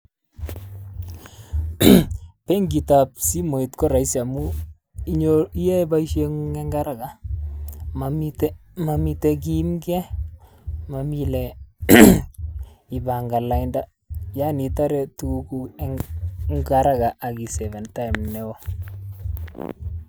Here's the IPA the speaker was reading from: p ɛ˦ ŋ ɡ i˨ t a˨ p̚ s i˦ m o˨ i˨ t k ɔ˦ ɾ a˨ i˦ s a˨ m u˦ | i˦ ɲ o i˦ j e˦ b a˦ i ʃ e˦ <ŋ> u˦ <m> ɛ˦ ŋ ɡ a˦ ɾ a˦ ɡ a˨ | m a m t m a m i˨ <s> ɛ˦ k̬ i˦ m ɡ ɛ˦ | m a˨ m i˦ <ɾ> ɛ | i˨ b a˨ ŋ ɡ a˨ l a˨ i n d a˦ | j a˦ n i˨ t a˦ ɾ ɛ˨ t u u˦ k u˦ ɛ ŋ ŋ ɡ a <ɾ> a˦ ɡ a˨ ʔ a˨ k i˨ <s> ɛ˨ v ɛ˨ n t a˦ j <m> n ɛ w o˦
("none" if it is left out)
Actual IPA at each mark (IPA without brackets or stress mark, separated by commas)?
ŋ, ŋ, t, l, ɾ, s, m